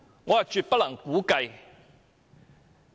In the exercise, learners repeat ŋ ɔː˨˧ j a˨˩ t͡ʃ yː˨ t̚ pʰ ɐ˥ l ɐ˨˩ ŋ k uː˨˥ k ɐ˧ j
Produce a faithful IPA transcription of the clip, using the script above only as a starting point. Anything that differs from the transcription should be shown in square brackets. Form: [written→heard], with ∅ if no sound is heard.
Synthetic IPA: ŋ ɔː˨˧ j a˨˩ t͡ʃ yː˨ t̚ [pʰ→p] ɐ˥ l ɐ˨˩ ŋ k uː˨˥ k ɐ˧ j